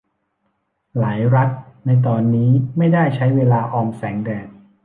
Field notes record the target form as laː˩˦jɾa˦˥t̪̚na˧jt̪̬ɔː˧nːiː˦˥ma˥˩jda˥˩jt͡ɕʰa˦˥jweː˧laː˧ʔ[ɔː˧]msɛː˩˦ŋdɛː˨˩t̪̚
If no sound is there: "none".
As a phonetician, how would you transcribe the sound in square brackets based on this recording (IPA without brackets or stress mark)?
ɔː˧